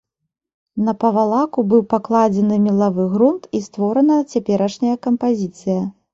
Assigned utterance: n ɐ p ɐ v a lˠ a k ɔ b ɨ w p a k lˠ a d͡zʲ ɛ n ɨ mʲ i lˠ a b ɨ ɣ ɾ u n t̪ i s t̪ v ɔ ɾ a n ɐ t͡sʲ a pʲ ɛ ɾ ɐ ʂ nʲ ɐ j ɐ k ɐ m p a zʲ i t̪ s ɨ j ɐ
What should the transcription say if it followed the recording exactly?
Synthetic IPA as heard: n ɐ p ɐ v a lˠ a k u b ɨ w p a k lˠ a d͡zʲ ɛ n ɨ mʲ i lˠ a v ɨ ɣ ɾ u n t̪ i s t̪ v ɔ ɾ ɐ n ɐ t͡sʲ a pʲ ɛ ɾ ɐ ʂ nʲ ɐ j ɐ k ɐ m p a zʲ i t̪ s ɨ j ɐ